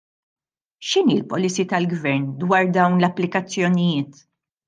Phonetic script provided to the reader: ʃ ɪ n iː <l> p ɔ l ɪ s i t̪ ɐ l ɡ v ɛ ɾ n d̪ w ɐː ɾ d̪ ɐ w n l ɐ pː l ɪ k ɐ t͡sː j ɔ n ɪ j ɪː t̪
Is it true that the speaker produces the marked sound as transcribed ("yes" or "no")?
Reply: yes